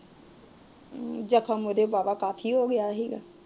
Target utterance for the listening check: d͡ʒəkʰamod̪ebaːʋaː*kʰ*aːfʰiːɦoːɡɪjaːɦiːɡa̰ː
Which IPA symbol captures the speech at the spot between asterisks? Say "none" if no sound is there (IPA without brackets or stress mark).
k